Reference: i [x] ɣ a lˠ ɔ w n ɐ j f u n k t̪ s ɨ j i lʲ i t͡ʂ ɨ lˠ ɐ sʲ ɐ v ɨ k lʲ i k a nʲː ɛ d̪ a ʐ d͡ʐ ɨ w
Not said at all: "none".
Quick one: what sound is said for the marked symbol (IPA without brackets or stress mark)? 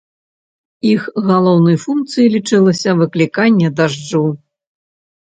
x